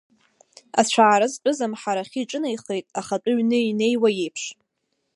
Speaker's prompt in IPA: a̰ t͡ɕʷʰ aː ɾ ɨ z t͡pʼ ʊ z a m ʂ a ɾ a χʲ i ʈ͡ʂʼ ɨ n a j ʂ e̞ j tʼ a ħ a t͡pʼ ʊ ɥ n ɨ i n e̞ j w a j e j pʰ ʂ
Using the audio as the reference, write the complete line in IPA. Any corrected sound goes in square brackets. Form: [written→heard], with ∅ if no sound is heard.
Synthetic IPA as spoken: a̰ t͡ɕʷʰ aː ɾ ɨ z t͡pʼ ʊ z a m [ʂ→ħ] a ɾ a χʲ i ʈ͡ʂʼ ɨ n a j [ʂ→χ] e̞ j tʼ a [ħ→χ] a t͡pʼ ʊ ɥ n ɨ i n e̞ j w a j e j pʰ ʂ